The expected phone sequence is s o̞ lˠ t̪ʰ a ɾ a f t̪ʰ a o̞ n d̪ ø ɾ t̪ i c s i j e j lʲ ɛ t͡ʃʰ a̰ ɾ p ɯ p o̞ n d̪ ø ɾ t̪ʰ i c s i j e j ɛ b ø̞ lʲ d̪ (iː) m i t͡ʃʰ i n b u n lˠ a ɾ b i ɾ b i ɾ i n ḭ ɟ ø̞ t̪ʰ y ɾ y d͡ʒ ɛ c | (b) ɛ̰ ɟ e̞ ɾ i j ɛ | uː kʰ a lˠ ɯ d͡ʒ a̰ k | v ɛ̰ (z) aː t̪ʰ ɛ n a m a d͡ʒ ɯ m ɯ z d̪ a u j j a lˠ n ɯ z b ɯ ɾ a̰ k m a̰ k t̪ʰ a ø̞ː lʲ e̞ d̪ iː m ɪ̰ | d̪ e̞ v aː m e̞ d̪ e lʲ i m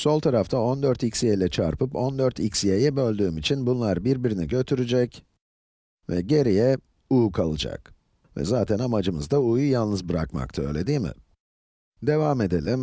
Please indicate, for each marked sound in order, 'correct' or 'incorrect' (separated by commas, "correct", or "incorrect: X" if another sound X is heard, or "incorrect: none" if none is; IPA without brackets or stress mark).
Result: incorrect: yː, incorrect: v, correct